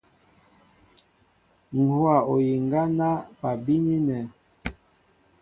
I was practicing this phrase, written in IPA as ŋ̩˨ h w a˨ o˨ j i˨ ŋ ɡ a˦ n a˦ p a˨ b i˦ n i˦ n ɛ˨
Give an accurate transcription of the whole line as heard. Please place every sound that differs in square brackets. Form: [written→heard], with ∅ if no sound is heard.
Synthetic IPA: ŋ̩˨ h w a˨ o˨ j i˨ ŋ ɡ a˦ n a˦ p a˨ b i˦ n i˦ n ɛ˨